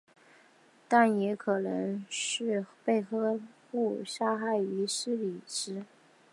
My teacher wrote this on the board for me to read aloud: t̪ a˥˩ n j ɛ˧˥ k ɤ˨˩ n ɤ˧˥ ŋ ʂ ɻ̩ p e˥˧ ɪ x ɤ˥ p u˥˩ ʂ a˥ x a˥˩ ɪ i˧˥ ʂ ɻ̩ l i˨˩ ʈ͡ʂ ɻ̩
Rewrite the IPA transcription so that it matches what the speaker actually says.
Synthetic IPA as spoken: t̪ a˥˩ n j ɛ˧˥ kʰ ɤ˨˩ n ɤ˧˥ ŋ ʂ ɻ̩ p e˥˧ ɪ x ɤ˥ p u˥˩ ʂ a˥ x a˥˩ ɪ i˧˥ ʂ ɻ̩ l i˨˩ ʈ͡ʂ ɻ̩

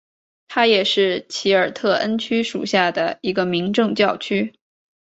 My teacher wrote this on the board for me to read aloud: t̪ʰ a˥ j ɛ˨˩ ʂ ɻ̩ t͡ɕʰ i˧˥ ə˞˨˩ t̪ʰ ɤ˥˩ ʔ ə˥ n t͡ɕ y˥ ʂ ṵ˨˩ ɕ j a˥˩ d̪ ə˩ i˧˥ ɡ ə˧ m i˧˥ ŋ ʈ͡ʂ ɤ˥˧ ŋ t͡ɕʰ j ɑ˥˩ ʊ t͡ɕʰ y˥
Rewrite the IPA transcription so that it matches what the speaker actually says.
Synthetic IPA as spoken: t̪ʰ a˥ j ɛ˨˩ ʂ ɻ̩ t͡ɕʰ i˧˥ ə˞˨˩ t̪ʰ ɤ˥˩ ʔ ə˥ n t͡ɕʰ y˥ ʂ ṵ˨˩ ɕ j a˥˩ d̪ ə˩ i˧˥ ɡ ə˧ m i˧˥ ŋ ʈ͡ʂ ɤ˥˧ ŋ t͡ɕ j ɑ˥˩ ʊ t͡ɕʰ y˥

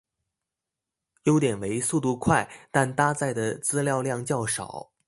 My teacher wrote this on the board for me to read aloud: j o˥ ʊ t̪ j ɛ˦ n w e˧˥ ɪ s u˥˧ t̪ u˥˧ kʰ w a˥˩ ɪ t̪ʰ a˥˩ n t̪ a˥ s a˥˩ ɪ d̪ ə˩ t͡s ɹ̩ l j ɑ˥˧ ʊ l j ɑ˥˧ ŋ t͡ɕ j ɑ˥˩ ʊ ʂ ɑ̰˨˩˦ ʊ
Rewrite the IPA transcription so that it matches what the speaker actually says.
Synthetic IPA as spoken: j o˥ ʊ t̪ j ɛ˨˩ n w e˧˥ ɪ s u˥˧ t̪ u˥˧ kʰ w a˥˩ ɪ t̪ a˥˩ n t̪ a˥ t͡s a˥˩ ɪ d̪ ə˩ t͡s ɹ̩ l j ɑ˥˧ ʊ l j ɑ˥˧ ŋ t͡ɕ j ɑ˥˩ ʊ ʂ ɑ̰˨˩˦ ʊ

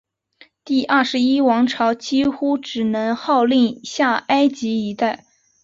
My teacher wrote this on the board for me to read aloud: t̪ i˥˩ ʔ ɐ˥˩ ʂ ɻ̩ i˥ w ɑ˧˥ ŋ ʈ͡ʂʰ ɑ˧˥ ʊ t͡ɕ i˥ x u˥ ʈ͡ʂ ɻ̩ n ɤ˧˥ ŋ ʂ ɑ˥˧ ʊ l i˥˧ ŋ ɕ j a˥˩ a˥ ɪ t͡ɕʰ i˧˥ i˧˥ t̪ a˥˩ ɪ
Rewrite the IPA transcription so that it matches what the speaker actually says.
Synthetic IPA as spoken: t̪ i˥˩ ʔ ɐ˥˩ ʂ ɻ̩ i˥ w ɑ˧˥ ŋ ʈ͡ʂʰ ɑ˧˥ ʊ t͡ɕ i˥ x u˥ ʈ͡ʂ ɻ̩ n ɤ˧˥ ŋ x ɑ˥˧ ʊ l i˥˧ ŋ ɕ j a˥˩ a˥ ɪ t͡ɕ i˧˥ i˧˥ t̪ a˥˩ ɪ

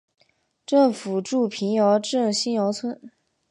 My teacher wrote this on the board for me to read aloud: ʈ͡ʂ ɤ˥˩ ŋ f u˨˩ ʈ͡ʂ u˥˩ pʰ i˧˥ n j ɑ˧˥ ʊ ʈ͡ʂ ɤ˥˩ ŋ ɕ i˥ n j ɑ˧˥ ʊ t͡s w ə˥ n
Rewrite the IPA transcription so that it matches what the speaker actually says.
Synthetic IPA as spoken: ʈ͡ʂ ɤ˥˩ ŋ f u˨˩ ʈ͡ʂ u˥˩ pʰ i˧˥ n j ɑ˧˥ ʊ ʈ͡ʂ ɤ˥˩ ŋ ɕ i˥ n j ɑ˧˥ ʊ t͡sʰ w ə˥ n

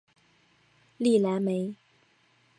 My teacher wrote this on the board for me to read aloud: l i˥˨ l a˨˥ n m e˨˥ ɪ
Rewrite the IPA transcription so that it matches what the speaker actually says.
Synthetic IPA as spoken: l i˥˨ l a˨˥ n m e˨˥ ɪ

